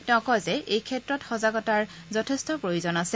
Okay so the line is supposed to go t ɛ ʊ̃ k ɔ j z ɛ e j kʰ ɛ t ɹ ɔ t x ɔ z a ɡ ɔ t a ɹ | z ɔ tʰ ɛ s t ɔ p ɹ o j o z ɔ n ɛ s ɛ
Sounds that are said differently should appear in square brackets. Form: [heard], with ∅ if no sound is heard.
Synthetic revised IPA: t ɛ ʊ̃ k ɔ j z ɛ e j kʰ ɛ t ɹ ɔ t x ɔ z a ɡ ɔ t a ɹ | z ɔ tʰ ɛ s t ɔ p ɹ o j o z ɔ n [a] s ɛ